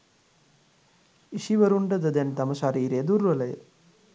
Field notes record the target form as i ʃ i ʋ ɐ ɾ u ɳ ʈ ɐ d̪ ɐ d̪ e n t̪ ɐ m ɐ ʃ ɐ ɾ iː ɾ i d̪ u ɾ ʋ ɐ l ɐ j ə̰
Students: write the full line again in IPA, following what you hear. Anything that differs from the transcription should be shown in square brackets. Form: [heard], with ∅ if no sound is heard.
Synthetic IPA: i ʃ i ʋ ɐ ɾ u ɳ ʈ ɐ d̪ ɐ d̪ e n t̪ ɐ m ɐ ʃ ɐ ɾ iː ɾ [e] d̪ u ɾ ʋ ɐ l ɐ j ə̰